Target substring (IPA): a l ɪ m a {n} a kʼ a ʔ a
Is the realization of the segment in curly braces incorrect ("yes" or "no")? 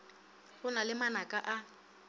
no